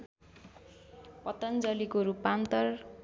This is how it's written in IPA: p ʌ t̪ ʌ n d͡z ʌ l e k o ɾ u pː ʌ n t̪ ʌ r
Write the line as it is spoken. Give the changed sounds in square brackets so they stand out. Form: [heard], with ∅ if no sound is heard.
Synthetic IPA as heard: p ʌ t̪ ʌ n d͡z ʌ l [i] k o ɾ u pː [a] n t̪ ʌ r